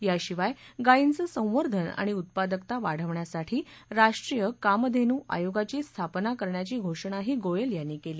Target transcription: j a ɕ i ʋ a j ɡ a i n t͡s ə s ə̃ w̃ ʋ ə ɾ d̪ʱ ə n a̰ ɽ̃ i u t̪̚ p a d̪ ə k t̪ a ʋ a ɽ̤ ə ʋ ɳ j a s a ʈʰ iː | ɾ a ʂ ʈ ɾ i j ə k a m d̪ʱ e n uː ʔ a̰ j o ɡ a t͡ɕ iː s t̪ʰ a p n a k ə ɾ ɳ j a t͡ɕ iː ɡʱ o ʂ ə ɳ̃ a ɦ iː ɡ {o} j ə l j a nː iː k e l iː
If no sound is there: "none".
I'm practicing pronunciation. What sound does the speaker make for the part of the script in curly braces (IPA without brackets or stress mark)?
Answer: o